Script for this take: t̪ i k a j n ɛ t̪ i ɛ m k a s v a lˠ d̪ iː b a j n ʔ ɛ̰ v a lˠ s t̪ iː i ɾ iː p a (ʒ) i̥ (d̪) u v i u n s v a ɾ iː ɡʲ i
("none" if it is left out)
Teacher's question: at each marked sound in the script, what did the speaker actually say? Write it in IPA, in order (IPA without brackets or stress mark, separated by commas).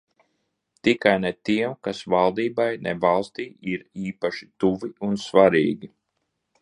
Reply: ʃ, t̪